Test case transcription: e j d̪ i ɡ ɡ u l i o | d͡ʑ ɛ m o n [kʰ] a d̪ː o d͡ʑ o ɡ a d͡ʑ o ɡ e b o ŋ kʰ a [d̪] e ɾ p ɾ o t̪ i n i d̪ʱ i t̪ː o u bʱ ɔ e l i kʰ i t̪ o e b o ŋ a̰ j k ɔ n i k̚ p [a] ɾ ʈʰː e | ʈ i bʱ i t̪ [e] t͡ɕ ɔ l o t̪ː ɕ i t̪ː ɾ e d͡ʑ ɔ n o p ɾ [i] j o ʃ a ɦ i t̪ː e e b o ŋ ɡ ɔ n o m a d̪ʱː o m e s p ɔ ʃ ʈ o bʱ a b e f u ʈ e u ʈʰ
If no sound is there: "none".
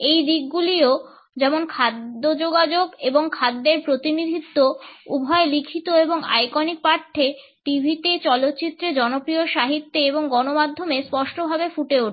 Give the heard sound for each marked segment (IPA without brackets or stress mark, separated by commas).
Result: kʰ, d̪ː, a, e, i